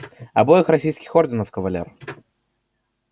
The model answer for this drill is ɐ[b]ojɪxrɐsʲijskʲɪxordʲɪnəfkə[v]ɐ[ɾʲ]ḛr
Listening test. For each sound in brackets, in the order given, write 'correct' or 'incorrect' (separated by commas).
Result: correct, correct, incorrect